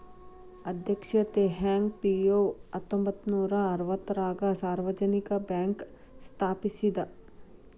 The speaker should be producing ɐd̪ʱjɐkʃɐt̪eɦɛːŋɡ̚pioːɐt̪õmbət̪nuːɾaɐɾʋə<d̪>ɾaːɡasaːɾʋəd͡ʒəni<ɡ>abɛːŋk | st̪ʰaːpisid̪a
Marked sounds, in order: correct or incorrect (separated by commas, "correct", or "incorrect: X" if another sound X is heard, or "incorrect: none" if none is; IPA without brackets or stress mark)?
incorrect: t̪, incorrect: k